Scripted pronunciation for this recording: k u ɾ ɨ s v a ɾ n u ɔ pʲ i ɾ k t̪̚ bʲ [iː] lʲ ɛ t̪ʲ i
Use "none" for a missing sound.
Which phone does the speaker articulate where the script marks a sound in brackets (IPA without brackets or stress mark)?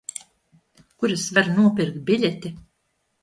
i